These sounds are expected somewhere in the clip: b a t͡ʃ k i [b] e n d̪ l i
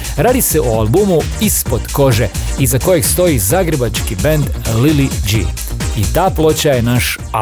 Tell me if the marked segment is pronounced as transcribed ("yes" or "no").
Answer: yes